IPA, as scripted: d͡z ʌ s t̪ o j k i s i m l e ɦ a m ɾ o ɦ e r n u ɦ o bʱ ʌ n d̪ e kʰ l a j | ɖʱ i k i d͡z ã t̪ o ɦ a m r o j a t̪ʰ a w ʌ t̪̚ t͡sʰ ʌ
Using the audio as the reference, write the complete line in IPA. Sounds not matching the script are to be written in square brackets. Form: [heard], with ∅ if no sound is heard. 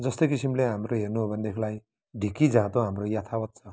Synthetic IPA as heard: d͡z ʌ s t̪ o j k i s i m l e ɦ a m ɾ o ɦ e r n u ɦ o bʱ ʌ n d̪ e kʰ l a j | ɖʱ i k i d͡z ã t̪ o ɦ a m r o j a t̪ʰ a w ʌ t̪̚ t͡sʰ ʌ